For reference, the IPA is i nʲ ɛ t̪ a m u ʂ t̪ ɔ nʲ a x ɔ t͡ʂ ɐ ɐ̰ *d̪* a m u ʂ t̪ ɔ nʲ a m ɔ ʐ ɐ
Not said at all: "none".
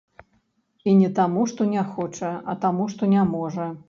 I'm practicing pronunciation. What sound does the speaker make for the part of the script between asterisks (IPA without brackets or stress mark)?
t̪